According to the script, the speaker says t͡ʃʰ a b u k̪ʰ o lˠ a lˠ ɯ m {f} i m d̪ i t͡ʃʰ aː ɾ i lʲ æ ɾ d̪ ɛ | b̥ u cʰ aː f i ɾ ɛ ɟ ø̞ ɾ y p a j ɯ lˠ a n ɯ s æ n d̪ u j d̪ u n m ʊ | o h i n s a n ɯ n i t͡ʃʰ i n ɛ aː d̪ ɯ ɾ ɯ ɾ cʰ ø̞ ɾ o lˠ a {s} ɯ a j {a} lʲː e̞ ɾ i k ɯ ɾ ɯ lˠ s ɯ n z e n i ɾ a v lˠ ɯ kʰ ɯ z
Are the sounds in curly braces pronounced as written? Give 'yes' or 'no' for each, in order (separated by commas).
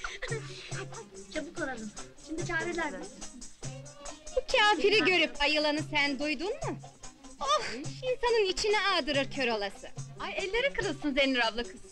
no, yes, no